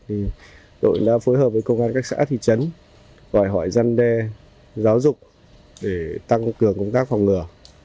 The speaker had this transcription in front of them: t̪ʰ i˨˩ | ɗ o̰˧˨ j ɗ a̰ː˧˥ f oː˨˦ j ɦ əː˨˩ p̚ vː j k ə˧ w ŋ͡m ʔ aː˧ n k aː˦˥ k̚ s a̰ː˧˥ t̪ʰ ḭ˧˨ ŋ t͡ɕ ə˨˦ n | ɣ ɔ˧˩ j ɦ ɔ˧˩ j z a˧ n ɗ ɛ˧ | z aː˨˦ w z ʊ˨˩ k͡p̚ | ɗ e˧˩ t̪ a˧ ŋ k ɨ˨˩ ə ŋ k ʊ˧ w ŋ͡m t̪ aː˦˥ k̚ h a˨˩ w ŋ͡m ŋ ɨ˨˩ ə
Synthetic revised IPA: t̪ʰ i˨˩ | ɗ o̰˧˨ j ɗ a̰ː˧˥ f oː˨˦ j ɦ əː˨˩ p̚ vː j k ə˧ w ŋ͡m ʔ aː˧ n k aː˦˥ k̚ s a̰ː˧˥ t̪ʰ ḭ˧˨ t͡ɕ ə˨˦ n | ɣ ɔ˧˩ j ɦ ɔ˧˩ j z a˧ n ɗ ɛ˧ | z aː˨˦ w z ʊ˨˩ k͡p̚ | ɗ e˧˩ t̪ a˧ ŋ k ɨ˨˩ ə ŋ k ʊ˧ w ŋ͡m t̪ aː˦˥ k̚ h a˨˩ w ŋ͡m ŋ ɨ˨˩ ə